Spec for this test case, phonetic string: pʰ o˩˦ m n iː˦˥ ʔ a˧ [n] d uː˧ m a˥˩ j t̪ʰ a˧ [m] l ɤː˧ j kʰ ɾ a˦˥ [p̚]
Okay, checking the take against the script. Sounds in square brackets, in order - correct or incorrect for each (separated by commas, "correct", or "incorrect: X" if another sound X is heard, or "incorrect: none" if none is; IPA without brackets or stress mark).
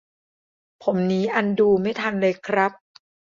correct, incorrect: n, correct